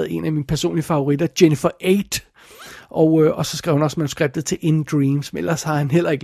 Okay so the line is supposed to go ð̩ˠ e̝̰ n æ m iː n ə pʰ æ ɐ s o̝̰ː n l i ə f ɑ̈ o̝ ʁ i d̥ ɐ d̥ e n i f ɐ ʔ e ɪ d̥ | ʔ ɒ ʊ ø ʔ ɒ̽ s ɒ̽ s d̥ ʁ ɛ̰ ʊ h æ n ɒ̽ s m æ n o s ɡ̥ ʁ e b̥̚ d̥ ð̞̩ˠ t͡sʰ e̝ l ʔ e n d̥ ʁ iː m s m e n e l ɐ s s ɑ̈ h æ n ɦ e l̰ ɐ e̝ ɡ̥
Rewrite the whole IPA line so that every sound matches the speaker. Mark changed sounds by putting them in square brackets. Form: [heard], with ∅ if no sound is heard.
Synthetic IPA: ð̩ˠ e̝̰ n æ m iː n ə pʰ æ ɐ s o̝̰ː n l i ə f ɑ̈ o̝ ʁ i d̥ ɐ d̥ e n i f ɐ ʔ e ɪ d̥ | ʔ ɒ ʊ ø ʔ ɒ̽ s ɒ̽ s [ɡ̥] ʁ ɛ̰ ʊ h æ n ɒ̽ s m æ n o s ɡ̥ ʁ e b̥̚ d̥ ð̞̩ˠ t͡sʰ e̝ l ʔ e n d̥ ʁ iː m s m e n e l ɐ s [h] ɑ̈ h æ n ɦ e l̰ ɐ e̝ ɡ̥